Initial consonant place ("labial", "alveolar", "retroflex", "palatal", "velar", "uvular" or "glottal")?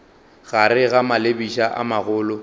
velar